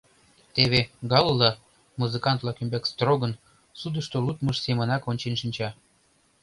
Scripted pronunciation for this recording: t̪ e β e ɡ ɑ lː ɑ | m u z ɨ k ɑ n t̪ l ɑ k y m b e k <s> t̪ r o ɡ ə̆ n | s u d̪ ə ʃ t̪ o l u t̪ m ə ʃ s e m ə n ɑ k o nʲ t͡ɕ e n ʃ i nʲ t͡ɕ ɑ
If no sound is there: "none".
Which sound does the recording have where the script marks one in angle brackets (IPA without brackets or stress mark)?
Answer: s